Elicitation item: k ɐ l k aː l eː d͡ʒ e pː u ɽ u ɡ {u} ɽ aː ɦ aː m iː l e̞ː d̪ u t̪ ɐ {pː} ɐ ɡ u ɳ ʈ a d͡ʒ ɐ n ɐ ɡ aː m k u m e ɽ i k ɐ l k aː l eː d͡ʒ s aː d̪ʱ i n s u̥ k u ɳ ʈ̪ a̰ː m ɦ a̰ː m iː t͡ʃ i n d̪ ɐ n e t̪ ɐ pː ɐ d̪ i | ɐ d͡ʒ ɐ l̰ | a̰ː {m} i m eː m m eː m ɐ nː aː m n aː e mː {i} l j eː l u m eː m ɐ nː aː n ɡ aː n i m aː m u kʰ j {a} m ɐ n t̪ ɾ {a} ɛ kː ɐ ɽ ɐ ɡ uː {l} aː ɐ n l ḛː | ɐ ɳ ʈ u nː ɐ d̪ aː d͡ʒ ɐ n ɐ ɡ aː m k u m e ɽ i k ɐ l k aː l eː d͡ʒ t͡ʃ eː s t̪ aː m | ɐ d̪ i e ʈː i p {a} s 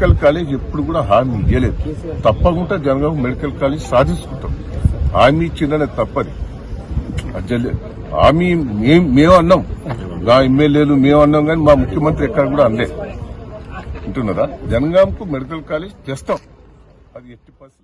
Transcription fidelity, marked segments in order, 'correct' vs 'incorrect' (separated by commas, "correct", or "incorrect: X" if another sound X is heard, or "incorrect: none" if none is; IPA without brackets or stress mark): incorrect: uː, correct, correct, incorrect: e, incorrect: ɐ, incorrect: i, incorrect: ɽ, incorrect: ɐ